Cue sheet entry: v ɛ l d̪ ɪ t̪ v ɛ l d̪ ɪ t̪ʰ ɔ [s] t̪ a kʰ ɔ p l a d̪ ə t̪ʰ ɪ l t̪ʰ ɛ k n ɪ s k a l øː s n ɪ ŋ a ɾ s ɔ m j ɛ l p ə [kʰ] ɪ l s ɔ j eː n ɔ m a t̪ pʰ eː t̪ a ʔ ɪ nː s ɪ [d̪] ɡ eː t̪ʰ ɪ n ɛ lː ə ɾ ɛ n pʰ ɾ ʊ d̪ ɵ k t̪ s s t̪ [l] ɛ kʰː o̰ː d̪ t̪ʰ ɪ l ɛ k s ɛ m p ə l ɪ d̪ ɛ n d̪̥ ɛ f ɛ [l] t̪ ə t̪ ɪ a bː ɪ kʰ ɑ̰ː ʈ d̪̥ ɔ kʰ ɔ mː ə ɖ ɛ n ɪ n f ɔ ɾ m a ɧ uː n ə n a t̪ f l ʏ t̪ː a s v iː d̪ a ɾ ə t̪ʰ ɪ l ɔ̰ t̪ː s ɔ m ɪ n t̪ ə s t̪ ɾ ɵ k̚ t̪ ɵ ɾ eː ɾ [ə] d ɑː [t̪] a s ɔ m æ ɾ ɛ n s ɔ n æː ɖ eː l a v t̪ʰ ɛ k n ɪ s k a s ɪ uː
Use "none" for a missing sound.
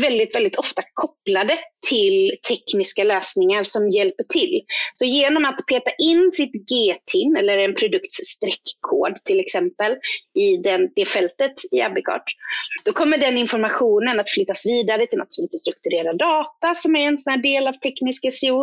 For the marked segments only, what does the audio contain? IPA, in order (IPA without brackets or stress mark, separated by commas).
f, ʈʰ, t̪, ɾ, l, a, t̪